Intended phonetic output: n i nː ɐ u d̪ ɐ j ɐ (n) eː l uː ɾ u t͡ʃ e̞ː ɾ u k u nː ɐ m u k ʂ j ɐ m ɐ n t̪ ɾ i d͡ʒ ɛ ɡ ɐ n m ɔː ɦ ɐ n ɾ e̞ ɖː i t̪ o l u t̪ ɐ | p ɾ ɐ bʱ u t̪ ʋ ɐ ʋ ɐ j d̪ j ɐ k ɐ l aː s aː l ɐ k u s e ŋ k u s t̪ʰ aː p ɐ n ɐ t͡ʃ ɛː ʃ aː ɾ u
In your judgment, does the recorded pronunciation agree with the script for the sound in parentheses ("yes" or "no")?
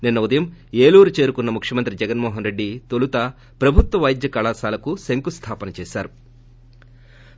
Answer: no